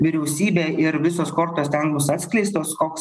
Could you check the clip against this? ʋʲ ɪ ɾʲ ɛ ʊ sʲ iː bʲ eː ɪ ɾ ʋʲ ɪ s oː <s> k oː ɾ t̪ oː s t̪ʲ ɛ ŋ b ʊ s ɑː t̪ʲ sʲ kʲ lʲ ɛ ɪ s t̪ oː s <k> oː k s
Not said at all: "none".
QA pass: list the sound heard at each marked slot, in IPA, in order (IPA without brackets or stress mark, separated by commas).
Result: s, k